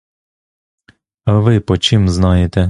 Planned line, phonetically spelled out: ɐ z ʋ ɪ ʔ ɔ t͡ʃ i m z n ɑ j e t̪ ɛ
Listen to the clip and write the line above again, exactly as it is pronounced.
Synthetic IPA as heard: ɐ ʋ ɪ p ɔ t͡ʃ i m z n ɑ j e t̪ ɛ